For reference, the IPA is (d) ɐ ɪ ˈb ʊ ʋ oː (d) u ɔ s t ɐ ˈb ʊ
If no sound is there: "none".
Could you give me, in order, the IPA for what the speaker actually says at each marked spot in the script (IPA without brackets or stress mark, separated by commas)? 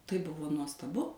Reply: t, n